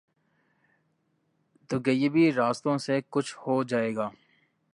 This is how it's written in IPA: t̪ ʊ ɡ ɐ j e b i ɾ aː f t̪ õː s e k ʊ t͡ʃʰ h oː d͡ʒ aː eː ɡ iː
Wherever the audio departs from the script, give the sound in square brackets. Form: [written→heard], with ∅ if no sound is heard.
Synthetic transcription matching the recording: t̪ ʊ ɡ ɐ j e b i ɾ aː [f→s] t̪ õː s e k ʊ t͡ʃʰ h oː d͡ʒ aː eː ɡ [iː→aː]